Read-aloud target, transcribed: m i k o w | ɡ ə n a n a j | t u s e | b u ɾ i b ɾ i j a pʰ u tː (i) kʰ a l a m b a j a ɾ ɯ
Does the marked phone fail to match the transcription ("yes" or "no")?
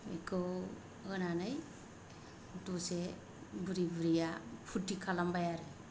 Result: no